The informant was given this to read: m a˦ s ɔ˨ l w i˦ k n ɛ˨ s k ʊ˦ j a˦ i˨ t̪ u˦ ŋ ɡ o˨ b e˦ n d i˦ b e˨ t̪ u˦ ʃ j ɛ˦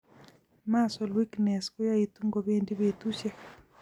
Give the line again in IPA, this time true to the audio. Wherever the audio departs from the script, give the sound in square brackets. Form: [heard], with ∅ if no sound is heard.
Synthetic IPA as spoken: m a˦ s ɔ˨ l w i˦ k n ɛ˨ s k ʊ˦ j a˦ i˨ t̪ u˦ ŋ ɡ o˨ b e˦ n d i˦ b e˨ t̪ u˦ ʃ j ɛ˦